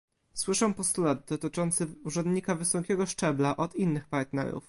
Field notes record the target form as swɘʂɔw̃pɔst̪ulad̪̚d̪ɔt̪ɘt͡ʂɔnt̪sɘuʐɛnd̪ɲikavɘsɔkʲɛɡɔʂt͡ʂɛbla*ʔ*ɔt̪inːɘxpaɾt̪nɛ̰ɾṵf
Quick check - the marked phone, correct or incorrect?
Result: correct